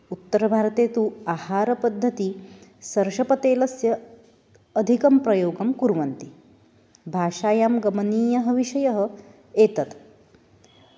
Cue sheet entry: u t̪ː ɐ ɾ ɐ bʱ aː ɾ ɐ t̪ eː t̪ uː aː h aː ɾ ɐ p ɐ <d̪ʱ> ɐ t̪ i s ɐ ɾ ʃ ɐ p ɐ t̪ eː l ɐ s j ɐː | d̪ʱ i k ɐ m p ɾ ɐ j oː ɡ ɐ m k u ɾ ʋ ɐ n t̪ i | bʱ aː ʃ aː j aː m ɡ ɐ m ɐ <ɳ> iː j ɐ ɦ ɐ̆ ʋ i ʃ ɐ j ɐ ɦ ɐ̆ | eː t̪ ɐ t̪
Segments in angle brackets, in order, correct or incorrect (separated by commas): incorrect, incorrect